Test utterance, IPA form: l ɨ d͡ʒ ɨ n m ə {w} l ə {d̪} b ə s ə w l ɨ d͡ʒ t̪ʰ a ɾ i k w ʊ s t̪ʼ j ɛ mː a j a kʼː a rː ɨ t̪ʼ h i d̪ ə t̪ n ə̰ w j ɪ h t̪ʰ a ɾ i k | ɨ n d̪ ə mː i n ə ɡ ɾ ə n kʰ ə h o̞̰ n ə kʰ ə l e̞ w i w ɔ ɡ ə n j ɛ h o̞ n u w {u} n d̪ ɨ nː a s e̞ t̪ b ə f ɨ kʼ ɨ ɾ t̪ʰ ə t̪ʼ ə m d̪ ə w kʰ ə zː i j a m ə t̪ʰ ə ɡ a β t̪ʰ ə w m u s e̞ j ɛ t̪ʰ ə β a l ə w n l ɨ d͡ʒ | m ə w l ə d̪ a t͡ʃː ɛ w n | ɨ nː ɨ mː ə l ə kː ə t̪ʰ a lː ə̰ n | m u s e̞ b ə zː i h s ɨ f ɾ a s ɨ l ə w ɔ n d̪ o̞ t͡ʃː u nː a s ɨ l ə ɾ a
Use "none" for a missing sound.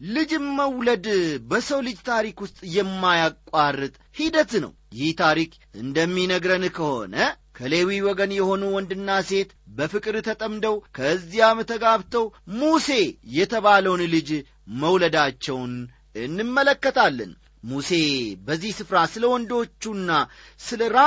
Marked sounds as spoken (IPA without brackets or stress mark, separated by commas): w, d̪, ɔ